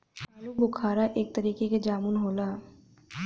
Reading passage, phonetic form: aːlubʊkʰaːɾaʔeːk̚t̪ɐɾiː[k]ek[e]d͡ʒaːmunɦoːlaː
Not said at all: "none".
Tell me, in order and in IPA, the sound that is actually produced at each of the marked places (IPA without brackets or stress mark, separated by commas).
k, e